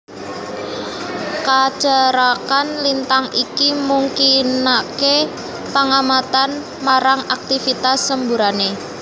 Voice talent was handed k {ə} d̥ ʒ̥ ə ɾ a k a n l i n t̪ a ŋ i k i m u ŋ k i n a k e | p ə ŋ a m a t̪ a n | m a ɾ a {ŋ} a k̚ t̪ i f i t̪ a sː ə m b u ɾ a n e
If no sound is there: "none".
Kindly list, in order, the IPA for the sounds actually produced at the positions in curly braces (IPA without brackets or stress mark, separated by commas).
a, ŋ